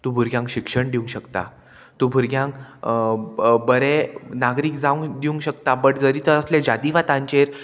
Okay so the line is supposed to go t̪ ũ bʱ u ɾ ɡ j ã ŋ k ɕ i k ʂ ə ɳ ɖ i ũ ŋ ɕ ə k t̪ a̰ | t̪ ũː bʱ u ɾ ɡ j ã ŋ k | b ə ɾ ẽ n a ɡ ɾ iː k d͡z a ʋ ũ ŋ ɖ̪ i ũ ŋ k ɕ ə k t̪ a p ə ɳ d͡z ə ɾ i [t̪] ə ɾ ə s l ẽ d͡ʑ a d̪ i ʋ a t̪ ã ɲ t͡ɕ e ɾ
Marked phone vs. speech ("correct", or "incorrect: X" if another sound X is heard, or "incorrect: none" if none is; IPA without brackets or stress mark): correct